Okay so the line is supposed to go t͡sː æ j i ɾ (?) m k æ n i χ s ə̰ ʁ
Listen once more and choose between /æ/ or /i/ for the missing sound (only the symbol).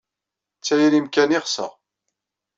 i